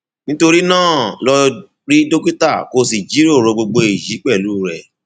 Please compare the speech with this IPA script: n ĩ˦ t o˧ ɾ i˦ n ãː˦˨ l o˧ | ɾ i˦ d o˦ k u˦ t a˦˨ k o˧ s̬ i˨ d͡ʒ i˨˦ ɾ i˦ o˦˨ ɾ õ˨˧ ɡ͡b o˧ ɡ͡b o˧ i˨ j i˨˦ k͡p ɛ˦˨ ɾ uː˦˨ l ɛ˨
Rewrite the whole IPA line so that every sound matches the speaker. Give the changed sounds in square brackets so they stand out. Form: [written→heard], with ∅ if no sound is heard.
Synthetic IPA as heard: n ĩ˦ t o˧ ɾ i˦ n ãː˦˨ l [o˧→ɔ˧] | ɾ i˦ d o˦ k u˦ t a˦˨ k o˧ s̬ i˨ d͡ʒ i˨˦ ɾ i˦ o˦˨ ɾ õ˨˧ ɡ͡b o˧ ɡ͡b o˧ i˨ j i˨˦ k͡p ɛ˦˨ [ɾ→l] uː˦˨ [l→ɾ] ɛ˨